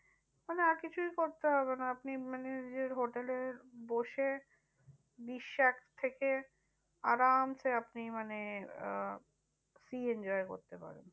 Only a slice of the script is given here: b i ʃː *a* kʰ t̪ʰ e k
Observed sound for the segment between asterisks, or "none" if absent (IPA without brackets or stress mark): a